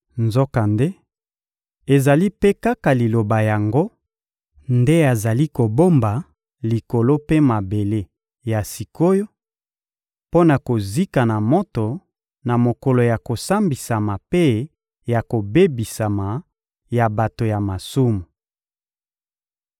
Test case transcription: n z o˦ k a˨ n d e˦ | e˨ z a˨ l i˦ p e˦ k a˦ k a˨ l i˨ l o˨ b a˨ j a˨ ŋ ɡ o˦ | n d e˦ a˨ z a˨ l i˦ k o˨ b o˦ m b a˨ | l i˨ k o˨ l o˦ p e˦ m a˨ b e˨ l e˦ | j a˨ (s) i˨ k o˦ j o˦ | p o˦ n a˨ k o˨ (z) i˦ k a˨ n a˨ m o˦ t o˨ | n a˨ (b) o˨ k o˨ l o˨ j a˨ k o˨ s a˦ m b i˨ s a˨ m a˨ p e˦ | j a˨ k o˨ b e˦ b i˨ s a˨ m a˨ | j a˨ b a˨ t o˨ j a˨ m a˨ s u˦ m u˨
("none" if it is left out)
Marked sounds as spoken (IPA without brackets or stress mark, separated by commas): s, z, m